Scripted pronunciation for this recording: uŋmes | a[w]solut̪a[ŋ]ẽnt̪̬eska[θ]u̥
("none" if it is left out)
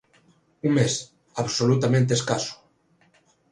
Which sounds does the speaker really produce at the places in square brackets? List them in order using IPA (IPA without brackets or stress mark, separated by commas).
β, m, s